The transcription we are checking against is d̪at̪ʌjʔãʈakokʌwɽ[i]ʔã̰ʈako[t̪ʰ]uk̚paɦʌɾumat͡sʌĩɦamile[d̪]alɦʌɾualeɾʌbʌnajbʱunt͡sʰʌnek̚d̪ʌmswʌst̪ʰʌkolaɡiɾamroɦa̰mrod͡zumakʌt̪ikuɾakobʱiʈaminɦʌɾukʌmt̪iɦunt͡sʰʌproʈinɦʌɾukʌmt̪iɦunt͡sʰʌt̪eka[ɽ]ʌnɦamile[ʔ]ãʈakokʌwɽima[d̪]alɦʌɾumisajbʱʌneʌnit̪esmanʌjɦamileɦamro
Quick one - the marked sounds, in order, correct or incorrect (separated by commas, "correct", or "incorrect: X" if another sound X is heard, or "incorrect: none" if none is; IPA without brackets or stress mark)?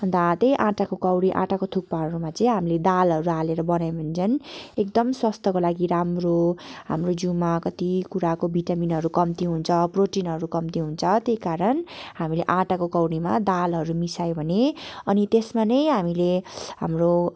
correct, correct, correct, incorrect: ɾ, correct, correct